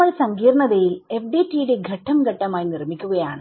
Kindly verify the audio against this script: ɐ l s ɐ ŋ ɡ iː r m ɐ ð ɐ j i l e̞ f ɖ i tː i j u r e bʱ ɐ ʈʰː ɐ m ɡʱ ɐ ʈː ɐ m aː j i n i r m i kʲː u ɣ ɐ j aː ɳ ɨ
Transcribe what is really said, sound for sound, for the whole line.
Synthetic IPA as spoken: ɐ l s ɐ ŋ ɡ iː r ɳ ɐ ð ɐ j i l e̞ f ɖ i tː i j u ɽ e ɡʱ ɐ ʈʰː ɐ m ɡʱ ɐ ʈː ɐ m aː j i n i r m i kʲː u ɣ ɐ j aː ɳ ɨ